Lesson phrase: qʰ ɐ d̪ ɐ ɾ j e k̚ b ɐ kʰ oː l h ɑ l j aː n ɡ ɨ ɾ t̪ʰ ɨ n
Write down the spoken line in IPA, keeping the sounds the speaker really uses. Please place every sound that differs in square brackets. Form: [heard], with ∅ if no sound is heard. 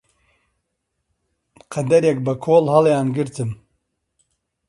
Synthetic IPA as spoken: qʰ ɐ d̪ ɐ ɾ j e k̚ b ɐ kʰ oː l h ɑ l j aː n ɡ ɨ ɾ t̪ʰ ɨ [m]